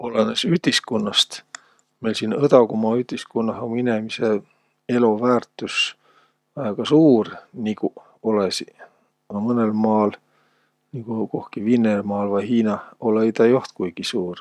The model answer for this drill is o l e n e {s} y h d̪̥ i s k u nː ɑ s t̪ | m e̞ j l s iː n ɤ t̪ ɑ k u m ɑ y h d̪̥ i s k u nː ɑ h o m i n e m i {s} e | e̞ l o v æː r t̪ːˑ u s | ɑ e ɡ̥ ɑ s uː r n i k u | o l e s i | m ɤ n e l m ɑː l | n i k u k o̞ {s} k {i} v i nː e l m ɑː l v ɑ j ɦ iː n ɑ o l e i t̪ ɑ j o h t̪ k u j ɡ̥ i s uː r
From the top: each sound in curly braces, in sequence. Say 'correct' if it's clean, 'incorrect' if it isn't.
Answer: correct, correct, incorrect: h, correct

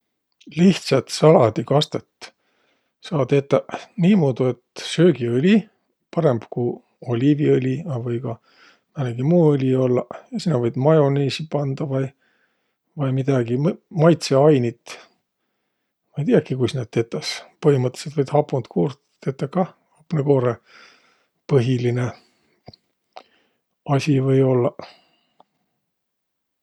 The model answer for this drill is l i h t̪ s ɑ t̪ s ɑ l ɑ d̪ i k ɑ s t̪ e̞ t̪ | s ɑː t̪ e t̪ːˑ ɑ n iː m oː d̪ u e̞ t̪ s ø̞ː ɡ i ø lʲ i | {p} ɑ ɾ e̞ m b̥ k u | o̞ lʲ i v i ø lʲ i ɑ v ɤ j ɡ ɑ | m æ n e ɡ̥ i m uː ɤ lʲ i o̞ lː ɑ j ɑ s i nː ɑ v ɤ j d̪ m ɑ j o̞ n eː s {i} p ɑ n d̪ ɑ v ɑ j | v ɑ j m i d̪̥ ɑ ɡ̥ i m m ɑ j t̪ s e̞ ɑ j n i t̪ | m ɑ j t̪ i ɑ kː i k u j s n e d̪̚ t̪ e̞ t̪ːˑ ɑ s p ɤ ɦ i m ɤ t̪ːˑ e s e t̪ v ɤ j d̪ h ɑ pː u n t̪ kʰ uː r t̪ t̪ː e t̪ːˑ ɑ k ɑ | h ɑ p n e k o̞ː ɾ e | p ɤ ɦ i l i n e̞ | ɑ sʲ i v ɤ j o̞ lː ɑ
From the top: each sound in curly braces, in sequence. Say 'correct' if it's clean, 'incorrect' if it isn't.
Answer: correct, correct

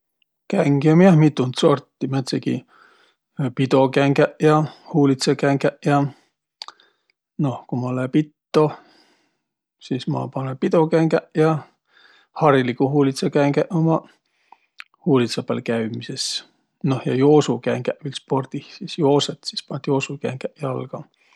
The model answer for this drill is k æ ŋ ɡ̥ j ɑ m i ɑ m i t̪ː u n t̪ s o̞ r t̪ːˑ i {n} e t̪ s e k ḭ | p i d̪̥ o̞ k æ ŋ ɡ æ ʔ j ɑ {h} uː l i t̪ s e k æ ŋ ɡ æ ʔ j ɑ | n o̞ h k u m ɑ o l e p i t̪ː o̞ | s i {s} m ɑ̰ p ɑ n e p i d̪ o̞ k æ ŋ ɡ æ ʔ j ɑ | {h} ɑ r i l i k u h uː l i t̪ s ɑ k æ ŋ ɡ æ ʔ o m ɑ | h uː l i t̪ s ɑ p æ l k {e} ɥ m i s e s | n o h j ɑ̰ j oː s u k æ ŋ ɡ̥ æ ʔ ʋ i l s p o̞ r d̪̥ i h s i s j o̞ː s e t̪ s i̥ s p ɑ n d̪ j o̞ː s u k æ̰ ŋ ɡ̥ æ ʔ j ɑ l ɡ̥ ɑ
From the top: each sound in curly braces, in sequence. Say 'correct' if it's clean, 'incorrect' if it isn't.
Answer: incorrect: m, correct, correct, correct, incorrect: æ

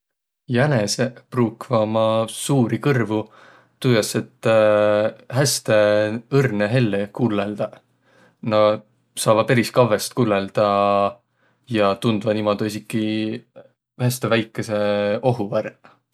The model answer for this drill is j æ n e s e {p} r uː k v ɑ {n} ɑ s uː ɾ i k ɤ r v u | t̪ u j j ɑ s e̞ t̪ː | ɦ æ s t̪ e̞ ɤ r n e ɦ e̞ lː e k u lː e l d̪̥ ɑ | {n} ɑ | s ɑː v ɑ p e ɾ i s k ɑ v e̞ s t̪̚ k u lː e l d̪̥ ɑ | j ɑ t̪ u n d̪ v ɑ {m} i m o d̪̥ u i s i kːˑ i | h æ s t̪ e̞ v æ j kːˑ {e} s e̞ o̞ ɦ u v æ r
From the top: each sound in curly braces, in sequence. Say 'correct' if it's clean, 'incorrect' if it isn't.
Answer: correct, incorrect: m, correct, incorrect: n, correct

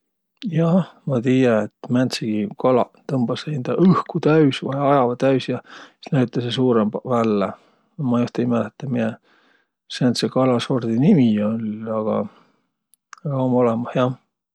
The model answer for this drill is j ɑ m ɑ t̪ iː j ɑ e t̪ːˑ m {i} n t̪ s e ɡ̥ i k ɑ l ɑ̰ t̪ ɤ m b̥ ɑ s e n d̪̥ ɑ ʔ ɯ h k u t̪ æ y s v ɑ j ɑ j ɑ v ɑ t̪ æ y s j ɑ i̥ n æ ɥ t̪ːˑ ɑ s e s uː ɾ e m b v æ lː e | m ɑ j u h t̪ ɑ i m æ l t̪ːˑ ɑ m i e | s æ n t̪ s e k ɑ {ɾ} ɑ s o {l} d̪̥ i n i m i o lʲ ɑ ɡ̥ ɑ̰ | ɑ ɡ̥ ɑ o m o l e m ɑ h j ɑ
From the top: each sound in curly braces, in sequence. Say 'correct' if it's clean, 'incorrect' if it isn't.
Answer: incorrect: æ, incorrect: l, incorrect: r

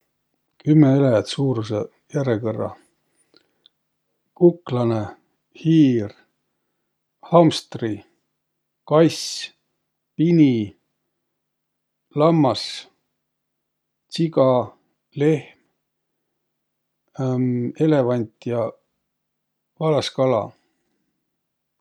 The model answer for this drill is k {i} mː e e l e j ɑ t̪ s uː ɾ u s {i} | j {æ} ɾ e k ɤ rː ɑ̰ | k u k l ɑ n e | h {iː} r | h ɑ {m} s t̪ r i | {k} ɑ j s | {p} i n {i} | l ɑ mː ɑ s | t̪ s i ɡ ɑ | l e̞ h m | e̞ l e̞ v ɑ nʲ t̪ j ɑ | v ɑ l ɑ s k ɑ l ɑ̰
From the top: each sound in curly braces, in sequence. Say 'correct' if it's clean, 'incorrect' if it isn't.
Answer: incorrect: y, incorrect: e, correct, correct, correct, correct, correct, correct

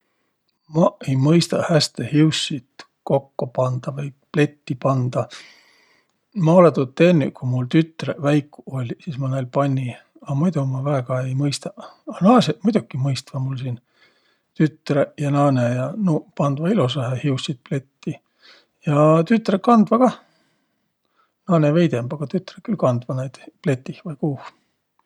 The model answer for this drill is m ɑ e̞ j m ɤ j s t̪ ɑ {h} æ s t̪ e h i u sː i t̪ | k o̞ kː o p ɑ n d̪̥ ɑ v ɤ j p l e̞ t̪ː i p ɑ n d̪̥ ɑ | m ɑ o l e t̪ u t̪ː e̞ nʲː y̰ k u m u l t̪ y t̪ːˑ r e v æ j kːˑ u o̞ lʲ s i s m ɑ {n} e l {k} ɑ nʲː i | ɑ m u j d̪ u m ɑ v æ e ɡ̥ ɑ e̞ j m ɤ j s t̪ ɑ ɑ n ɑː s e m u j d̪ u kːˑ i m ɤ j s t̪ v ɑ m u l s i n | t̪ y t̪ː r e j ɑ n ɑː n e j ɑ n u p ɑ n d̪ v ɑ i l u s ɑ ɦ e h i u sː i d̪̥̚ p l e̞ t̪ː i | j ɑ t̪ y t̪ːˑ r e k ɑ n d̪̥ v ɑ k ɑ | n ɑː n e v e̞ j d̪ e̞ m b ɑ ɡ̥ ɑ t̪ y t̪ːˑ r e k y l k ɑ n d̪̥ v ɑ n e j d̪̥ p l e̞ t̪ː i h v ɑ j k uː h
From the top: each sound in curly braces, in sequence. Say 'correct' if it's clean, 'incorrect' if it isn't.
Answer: correct, correct, incorrect: p

